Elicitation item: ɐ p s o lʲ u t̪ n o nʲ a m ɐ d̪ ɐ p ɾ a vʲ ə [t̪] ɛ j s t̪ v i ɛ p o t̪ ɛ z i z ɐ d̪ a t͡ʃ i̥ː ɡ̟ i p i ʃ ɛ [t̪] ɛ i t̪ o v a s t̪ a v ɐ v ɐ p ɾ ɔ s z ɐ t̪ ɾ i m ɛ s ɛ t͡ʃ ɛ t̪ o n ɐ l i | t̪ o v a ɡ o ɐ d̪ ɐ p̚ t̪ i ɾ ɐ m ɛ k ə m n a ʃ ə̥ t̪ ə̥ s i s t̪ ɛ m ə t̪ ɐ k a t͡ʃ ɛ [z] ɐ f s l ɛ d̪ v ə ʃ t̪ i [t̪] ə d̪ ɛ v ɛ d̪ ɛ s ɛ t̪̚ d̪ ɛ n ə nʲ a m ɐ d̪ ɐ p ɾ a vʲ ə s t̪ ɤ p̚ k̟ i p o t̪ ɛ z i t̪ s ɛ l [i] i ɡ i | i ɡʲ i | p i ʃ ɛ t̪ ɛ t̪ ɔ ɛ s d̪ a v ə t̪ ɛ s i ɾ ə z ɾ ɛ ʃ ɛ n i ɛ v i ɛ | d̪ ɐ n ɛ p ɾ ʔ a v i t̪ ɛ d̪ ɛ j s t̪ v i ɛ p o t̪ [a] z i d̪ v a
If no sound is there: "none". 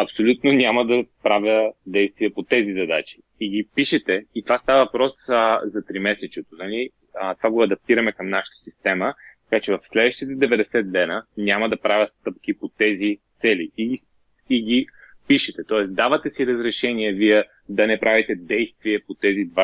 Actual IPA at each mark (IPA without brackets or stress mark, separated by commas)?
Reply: d̪, t̪, v, t̪, i, ɛ